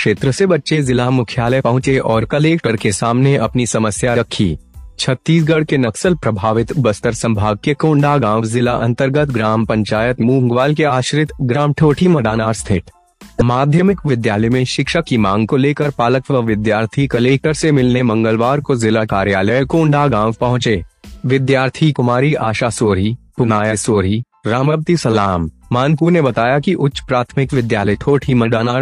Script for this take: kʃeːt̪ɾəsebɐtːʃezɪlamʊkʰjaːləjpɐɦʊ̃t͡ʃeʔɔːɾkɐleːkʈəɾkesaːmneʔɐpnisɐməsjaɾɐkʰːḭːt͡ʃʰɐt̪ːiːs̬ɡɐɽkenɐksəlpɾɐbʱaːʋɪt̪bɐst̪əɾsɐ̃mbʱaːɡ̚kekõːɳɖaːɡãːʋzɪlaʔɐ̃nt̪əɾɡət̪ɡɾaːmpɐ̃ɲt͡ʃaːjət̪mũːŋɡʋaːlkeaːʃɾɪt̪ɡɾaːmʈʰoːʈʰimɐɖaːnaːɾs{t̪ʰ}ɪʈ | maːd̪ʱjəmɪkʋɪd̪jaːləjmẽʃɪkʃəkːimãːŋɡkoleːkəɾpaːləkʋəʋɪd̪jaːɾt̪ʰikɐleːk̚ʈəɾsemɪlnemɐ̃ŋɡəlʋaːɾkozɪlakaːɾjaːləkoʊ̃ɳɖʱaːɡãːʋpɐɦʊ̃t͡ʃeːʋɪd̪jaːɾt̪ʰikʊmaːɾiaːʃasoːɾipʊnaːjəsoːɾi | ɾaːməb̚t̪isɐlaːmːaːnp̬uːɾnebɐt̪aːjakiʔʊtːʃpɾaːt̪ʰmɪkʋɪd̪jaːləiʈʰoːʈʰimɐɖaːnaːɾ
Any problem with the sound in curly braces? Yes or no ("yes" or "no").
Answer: no